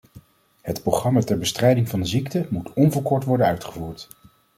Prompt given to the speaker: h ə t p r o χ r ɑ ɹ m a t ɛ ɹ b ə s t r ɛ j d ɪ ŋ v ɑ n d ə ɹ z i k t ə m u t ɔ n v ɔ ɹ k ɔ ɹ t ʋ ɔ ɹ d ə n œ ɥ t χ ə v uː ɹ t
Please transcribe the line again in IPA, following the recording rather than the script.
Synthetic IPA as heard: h ə t p r o χ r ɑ m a t ɛ ɹ b ə s t r ɛ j d ɪ ŋ v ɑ n d ə z i k t ə m u t ɔ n v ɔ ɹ k ɔ ɹ t ʋ ɔ ɹ d ə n œ ɥ t χ ə v uː ɹ t